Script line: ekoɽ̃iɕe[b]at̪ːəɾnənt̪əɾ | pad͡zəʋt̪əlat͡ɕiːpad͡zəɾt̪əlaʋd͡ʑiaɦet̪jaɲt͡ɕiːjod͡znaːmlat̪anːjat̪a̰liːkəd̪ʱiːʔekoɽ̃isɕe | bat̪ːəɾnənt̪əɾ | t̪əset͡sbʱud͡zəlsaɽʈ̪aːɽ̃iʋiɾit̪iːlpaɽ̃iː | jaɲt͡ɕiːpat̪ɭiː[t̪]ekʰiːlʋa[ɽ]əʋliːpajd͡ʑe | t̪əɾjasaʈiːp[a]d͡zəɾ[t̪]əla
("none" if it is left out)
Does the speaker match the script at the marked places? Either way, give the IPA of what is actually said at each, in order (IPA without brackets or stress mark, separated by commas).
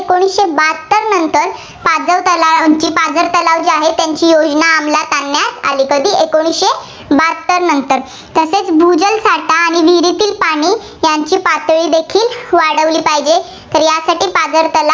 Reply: b, d̪, ɽ, a, t̪